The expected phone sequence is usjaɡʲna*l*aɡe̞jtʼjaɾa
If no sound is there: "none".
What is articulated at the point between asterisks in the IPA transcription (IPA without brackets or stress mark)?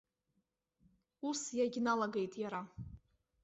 l